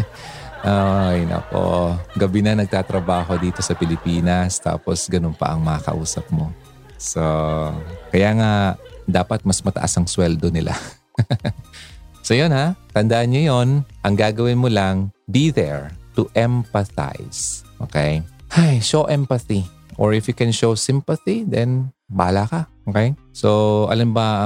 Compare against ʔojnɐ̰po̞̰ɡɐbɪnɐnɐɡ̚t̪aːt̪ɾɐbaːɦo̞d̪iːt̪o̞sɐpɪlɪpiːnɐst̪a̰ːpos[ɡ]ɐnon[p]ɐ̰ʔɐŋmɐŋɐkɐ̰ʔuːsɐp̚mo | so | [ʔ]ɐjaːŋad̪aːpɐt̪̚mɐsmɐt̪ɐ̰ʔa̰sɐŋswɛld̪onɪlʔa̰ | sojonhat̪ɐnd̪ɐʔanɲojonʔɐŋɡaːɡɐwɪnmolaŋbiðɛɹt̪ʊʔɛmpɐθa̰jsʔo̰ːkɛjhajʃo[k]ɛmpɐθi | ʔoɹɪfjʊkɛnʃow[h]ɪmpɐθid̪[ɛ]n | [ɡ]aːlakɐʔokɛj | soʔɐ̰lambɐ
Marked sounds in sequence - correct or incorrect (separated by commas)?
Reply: correct, correct, incorrect, incorrect, incorrect, correct, incorrect